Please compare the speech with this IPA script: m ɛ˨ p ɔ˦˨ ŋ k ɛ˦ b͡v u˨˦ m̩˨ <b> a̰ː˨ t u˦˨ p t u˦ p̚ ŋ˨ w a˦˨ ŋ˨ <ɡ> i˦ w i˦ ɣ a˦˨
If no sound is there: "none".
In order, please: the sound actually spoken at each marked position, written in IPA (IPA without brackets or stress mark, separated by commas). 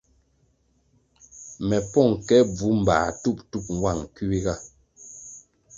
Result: b, k